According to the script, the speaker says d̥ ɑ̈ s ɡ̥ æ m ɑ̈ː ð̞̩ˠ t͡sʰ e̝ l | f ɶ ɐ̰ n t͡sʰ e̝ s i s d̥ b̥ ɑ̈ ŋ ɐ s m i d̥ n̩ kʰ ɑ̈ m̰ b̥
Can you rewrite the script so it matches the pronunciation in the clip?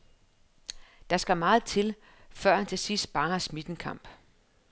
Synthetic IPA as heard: d̥ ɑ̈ s ɡ̥ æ m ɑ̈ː ð̞̩ˠ t͡sʰ e̝ l | f ɶ ɐ̰ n t͡sʰ e̝ s i s d̥ b̥ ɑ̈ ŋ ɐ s m i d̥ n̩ kʰ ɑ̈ m̰ b̥